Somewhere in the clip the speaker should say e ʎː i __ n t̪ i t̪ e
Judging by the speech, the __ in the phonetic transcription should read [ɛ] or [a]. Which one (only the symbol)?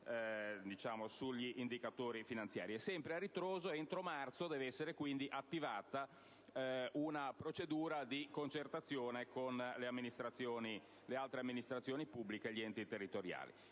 ɛ